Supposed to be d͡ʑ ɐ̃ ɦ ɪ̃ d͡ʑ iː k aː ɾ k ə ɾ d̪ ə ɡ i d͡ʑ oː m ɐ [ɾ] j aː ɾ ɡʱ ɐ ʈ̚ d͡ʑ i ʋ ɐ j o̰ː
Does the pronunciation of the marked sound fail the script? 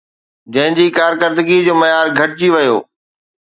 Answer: yes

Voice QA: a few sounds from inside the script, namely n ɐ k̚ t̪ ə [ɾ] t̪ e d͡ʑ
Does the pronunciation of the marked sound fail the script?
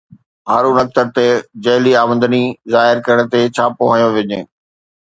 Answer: no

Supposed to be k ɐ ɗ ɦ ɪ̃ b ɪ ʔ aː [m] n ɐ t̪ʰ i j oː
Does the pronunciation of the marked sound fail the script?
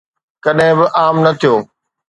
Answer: no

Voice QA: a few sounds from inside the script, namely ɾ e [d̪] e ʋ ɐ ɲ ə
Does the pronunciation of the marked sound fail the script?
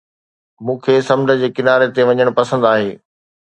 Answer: yes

